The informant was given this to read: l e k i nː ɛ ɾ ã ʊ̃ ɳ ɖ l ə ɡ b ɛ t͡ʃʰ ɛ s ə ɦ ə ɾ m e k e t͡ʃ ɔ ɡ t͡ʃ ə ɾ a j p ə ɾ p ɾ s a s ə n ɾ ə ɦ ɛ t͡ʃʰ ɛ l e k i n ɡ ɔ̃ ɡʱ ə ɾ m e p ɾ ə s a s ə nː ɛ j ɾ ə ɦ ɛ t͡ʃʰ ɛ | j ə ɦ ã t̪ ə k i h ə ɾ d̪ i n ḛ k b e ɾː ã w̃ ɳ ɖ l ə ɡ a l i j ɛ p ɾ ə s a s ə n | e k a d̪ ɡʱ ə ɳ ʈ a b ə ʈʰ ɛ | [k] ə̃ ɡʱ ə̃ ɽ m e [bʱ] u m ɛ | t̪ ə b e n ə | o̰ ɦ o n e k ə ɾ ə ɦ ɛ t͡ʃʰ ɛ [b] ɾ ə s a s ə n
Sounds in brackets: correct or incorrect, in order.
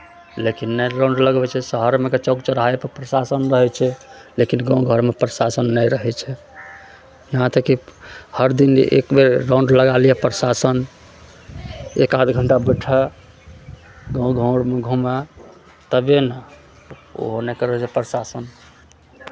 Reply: incorrect, incorrect, incorrect

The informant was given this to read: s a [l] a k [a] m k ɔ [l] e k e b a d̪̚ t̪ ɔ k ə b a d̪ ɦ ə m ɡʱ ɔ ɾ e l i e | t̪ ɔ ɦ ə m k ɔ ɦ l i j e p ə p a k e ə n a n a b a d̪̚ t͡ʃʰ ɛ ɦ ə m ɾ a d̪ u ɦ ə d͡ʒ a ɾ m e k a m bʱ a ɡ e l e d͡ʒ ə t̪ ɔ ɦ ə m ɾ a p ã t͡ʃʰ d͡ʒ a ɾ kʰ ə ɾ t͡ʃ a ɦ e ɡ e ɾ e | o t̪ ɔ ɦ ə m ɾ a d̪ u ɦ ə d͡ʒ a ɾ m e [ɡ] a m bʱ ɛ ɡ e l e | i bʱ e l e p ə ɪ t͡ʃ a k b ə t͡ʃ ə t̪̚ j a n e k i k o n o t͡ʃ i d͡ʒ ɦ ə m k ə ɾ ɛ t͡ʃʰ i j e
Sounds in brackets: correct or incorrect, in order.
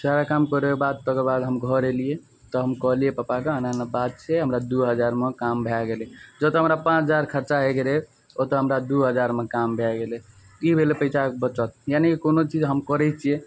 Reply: incorrect, correct, incorrect, incorrect

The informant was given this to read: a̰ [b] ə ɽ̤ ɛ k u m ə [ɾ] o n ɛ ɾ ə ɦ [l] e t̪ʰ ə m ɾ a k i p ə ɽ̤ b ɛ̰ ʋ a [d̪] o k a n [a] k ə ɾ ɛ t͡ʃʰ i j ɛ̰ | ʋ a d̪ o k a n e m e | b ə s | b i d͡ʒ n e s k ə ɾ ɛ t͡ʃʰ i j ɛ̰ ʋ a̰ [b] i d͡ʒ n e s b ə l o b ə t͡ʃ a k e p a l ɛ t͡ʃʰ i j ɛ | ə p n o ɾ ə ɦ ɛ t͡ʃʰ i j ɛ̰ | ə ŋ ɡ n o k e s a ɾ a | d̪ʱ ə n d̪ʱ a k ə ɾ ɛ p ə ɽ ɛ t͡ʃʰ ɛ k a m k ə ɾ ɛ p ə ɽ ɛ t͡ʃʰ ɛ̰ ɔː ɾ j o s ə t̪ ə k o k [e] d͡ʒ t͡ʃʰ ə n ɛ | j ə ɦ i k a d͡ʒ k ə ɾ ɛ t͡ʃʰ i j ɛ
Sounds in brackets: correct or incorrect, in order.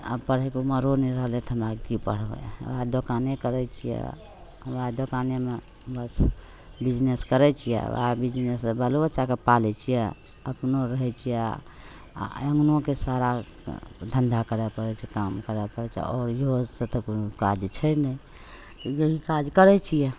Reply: incorrect, correct, correct, correct, incorrect, correct, incorrect

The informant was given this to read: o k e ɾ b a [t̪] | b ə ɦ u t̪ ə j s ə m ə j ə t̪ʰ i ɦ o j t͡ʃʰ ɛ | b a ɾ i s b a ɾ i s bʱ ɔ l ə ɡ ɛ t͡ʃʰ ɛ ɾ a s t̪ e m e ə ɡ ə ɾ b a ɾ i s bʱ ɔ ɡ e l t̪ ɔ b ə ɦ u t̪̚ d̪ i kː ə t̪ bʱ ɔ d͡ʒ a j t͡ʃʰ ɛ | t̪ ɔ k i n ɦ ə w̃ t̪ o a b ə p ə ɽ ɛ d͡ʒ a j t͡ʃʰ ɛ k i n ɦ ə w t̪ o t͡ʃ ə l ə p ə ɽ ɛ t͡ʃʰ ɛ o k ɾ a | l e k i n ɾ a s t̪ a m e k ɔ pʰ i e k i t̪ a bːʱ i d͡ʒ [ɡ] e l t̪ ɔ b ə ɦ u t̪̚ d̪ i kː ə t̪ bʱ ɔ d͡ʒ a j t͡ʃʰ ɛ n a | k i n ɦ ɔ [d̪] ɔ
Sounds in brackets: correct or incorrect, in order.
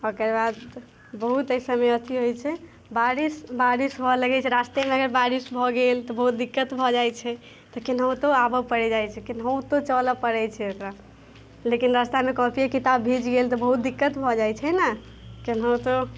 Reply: incorrect, correct, incorrect

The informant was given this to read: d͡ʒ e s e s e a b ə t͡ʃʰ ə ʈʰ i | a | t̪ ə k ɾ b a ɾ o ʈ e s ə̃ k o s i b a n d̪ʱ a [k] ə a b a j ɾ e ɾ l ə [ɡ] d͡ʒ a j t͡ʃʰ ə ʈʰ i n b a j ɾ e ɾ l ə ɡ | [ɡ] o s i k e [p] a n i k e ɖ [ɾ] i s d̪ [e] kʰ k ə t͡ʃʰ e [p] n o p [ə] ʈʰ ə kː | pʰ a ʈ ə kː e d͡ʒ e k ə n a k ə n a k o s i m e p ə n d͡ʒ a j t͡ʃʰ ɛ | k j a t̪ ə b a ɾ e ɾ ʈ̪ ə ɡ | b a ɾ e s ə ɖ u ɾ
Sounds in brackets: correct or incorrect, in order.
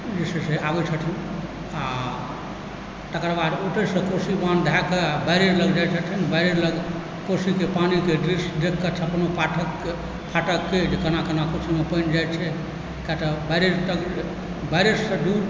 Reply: correct, correct, incorrect, correct, correct, correct, correct, incorrect

